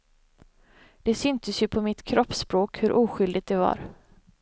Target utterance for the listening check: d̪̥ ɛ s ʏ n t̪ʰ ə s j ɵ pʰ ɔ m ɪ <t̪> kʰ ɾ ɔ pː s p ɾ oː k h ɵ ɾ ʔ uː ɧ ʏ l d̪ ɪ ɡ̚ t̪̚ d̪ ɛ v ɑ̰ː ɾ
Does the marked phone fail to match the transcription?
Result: no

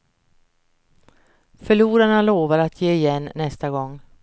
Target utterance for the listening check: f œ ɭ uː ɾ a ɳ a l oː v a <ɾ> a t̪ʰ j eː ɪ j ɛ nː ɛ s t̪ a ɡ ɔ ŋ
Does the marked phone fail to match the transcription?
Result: no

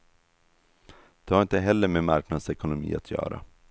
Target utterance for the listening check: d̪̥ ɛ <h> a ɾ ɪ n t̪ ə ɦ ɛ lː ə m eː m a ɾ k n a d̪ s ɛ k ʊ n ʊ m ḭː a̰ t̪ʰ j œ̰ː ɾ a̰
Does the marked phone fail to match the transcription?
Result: no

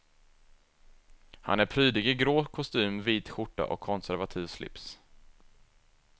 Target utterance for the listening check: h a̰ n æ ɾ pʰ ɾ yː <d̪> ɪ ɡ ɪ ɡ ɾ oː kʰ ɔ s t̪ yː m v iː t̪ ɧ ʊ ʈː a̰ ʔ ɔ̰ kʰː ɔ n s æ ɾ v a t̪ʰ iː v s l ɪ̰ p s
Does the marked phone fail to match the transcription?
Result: no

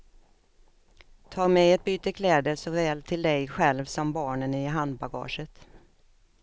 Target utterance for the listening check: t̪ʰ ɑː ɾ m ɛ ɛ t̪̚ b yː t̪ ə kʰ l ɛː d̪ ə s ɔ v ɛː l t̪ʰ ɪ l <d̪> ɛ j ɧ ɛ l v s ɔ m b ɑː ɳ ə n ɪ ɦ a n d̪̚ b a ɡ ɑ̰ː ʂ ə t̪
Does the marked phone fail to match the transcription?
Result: no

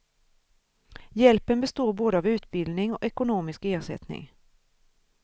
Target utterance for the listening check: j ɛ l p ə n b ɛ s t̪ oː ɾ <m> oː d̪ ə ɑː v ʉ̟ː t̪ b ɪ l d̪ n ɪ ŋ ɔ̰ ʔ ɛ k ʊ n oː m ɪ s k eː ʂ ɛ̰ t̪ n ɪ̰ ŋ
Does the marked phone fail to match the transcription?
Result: yes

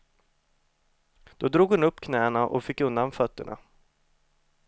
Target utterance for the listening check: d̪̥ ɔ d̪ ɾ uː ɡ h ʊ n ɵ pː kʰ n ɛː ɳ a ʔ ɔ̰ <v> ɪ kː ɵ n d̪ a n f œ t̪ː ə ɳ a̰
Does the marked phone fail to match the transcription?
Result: yes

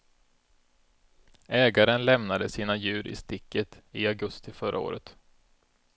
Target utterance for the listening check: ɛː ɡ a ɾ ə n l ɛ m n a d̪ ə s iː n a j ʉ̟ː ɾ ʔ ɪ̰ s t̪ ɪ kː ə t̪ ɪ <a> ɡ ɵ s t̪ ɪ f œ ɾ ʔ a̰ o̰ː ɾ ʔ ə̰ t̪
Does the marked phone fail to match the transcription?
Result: no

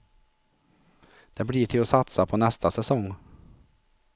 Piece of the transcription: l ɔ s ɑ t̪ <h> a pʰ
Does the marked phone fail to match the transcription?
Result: yes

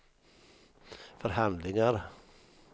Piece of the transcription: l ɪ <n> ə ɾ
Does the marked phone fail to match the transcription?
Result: yes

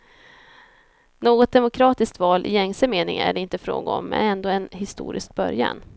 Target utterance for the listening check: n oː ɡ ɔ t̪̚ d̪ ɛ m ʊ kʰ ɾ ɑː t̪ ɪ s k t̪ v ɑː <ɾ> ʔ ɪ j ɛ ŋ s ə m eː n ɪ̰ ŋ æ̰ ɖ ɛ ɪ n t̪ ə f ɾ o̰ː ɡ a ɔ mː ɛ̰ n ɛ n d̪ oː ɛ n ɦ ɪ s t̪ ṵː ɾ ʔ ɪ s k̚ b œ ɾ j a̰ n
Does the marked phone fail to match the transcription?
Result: yes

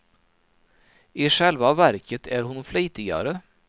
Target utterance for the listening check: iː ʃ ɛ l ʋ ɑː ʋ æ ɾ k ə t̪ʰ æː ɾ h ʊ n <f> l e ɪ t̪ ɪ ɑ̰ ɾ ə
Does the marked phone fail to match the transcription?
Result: no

